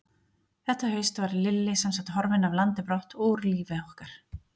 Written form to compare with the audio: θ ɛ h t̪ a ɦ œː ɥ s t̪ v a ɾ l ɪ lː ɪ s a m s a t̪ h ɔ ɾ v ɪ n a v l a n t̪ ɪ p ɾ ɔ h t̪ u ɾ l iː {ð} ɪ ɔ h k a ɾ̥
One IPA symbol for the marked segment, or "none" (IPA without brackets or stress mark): v